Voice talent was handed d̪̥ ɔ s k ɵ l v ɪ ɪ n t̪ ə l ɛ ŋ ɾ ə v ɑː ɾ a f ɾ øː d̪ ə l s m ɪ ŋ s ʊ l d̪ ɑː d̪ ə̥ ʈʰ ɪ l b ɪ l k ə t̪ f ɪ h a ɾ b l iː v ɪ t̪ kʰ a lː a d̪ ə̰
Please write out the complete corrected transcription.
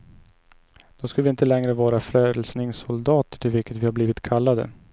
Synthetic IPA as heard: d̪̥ ɔ s k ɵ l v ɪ ɪ n t̪ ə l ɛ ŋ ɾ ə v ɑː ɾ a f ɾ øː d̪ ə l s n ɪ ŋ s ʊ l d̪ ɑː t̪ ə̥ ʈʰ ɪ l v ɪ l k ə t̪ v ɪ h a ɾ b l iː v ɪ t̪ kʰ a lː a d̪ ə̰